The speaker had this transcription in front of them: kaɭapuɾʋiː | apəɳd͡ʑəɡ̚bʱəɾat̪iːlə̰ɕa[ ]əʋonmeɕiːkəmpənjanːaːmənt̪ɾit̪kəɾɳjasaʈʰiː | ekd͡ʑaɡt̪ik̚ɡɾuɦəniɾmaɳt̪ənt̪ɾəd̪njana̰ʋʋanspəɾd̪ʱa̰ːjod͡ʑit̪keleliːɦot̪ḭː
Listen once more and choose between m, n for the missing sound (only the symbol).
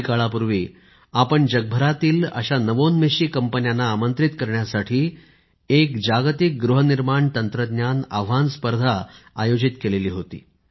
n